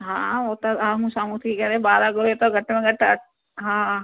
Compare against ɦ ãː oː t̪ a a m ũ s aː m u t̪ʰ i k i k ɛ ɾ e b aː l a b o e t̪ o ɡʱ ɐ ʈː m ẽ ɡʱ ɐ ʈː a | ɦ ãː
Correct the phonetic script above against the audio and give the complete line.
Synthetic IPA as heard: ɦ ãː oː t̪ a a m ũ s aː m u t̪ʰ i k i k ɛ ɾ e b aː ɾ a ɡ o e t̪ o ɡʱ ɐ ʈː m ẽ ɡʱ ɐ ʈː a | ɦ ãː